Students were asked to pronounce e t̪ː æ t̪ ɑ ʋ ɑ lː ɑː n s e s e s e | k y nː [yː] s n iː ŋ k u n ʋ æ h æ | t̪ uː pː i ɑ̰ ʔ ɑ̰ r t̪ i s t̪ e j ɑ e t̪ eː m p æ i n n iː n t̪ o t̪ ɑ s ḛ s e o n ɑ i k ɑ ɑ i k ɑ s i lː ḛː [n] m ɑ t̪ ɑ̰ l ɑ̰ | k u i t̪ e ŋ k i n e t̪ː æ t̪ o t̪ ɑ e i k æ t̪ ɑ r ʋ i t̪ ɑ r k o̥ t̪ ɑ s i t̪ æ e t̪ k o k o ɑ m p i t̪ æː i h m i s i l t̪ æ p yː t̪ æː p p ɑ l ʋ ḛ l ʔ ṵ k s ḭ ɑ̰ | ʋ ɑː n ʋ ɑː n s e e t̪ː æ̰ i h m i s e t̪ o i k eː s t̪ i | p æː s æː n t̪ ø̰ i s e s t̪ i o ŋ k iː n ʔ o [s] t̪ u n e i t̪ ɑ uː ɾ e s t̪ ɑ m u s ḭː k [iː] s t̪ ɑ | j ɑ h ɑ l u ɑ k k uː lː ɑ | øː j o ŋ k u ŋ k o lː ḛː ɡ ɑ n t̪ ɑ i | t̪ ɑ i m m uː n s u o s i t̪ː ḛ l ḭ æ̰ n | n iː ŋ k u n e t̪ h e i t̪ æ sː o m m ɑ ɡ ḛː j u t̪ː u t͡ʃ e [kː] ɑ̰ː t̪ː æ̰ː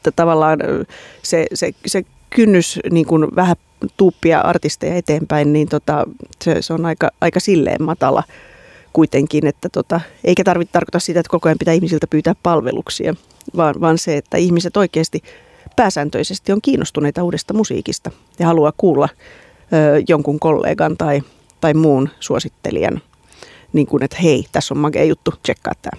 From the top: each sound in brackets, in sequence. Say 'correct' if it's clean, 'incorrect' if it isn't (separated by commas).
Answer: incorrect, incorrect, correct, incorrect, correct